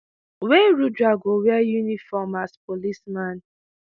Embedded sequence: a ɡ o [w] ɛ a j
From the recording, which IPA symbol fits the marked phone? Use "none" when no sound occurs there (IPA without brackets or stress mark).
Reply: w